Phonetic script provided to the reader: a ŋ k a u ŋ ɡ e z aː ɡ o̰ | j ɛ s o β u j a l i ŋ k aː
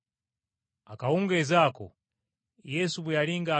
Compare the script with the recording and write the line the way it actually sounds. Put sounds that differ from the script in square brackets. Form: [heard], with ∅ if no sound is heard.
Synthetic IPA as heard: a [∅] k a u ŋ ɡ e z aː [k] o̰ | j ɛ s [u] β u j a l i ŋ [ɡ] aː